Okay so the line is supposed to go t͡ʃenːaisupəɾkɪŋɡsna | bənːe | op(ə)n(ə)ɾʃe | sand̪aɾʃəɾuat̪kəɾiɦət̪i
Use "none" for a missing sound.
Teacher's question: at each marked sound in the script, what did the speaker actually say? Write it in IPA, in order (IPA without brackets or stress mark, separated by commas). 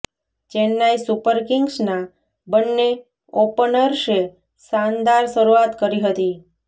ə, ə